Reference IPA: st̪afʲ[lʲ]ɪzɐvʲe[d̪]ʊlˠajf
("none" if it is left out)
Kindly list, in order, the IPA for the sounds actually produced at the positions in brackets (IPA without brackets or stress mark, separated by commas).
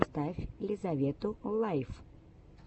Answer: lʲ, t̪